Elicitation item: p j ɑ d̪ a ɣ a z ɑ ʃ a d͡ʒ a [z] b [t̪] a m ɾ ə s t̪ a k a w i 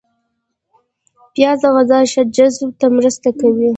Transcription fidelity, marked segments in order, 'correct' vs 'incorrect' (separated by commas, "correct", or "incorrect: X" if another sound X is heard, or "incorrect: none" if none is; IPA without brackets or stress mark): correct, correct